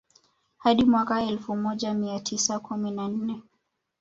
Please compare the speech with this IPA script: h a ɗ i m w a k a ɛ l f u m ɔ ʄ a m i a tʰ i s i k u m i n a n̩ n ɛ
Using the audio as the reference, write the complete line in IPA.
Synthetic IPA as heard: h a ɗ i m w a k a ɛ l f u m ɔ ʄ a m i a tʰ i s a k u m i n a n̩ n ɛ